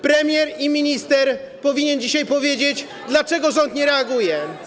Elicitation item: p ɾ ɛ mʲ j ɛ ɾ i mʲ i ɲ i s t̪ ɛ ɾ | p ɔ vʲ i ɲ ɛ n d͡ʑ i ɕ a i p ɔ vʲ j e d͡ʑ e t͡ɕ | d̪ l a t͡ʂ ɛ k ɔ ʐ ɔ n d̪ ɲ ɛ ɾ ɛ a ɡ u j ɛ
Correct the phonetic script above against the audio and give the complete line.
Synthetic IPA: p ɾ ɛ mʲ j ɛ ɾ i mʲ i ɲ i s t̪ ɛ ɾ | p ɔ vʲ i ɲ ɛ n d͡ʑ i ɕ a j p ɔ vʲ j e d͡ʑ e t͡ɕ | d̪ l a t͡ʂ ɛ ɡ ɔ ʐ ɔ n t̪ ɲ ɛ ɾ ɛ a ɡ u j ɛ